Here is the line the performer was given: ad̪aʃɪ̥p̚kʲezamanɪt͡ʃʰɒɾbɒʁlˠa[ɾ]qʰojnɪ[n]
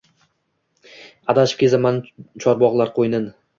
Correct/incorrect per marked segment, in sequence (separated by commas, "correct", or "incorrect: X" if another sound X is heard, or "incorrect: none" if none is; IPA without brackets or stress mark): correct, correct